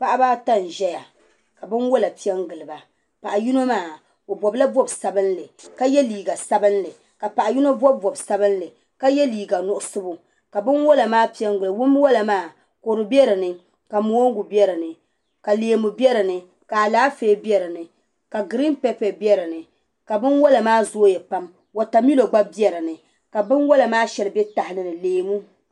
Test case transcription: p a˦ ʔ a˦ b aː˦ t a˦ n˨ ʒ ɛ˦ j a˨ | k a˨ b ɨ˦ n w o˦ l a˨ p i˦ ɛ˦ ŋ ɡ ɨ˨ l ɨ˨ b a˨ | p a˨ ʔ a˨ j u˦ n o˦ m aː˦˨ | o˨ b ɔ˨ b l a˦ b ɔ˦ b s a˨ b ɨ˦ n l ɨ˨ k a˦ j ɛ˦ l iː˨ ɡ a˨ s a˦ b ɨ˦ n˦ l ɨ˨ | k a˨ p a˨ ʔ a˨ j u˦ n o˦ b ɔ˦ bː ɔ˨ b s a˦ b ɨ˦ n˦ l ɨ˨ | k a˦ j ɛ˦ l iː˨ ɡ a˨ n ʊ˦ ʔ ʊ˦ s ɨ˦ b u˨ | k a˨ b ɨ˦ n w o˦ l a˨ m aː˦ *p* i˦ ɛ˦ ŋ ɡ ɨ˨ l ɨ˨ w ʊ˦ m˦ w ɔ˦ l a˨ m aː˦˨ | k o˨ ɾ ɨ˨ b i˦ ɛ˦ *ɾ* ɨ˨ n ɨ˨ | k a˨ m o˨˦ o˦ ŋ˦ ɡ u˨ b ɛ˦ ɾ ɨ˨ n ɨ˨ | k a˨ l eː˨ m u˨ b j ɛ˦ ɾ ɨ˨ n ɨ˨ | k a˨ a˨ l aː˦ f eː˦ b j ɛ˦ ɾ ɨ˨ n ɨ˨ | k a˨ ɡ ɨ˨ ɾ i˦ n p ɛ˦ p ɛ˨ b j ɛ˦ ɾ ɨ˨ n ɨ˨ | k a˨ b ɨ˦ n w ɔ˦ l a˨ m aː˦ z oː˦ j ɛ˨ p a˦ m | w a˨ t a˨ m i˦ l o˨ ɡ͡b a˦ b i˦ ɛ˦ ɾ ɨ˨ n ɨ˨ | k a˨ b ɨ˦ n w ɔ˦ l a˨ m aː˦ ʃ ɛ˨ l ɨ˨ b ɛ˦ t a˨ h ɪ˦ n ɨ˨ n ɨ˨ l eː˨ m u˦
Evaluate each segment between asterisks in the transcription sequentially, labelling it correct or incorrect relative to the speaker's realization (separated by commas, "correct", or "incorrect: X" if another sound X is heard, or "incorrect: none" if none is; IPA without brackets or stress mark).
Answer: correct, correct